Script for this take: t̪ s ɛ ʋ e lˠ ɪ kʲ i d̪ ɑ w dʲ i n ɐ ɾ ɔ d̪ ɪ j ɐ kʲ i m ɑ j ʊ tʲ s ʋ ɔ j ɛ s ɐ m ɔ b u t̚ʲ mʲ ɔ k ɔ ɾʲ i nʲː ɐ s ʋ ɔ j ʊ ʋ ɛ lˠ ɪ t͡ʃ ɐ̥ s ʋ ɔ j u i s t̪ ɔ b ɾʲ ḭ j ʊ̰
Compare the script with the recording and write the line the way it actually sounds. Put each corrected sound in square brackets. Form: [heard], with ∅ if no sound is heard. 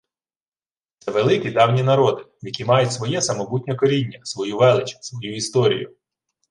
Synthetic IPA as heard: t̪ s ɛ ʋ e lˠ ɪ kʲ i d̪ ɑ w [nʲ] i n ɐ ɾ ɔ d̪ ɪ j ɐ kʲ i m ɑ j ʊ tʲ s ʋ ɔ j ɛ s ɐ m ɔ b u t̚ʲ [nʲ] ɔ k ɔ ɾʲ i nʲː ɐ s ʋ ɔ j [u] ʋ ɛ lˠ ɪ t͡ʃ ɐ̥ s ʋ ɔ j u i s t̪ ɔ [∅] ɾʲ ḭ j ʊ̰